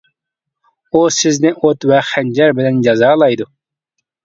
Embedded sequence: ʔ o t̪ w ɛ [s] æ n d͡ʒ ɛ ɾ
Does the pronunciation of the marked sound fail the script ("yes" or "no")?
yes